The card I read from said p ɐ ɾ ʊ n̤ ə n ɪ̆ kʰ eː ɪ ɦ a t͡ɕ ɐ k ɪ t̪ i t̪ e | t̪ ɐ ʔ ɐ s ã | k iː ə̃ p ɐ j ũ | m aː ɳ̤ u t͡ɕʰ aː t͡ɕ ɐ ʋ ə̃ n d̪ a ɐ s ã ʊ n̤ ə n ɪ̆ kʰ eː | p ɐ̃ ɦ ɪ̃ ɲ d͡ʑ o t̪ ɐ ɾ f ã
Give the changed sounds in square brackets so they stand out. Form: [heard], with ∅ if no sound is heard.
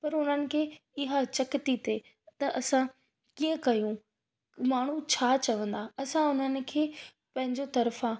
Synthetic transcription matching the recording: p ɐ ɾ ʊ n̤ ə n ɪ̆ kʰ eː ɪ ɦ a t͡ɕ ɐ k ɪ t̪ i t̪ e | t̪ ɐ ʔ ɐ s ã | k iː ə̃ [k] ɐ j ũ | m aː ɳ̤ u t͡ɕʰ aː t͡ɕ ɐ ʋ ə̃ n d̪ a ɐ s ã ʊ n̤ ə n ɪ̆ kʰ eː | p ɐ̃ ɦ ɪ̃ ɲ d͡ʑ o t̪ ɐ ɾ f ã